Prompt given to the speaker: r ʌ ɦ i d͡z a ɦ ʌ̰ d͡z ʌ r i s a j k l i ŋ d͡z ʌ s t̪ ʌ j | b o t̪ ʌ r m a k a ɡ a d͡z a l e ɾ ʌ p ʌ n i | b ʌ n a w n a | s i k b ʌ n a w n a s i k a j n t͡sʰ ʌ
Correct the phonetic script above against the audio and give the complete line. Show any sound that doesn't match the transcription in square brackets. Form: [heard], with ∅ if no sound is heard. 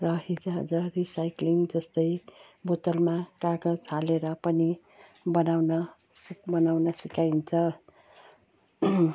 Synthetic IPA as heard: r ʌ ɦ i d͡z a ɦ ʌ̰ d͡z ʌ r i s a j k l i ŋ d͡z ʌ s t̪ ʌ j | b o t̪ ʌ [l] m a k a ɡ [ʌ] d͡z a l e ɾ ʌ p ʌ n i | b ʌ n a w n [ʌ] | s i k b ʌ n a w n [ʌ] s i k a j n t͡sʰ ʌ